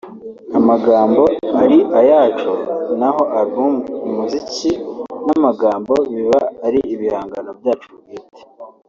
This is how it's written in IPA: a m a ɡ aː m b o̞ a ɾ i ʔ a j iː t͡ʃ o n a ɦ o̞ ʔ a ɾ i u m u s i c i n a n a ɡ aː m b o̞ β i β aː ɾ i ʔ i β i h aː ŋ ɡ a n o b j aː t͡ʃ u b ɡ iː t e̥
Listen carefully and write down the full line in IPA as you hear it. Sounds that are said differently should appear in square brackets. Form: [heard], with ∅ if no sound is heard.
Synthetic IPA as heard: a m a ɡ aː m b o̞ a ɾ i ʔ a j [aː] t͡ʃ o n a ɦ o̞ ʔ a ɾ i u m u [z] i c i n a [m] a ɡ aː m b o̞ β i β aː ɾ i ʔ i β i h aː ŋ ɡ a n o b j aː t͡ʃ u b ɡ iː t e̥